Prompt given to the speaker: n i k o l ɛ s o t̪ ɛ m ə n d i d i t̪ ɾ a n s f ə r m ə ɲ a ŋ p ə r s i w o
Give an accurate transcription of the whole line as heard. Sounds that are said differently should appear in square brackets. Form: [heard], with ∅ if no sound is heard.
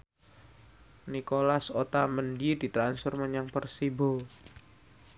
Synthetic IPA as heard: n i k o l [a] s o t̪ [a] m ə n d i d i t̪ ɾ a n s f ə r m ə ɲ a ŋ p ə r s i [b] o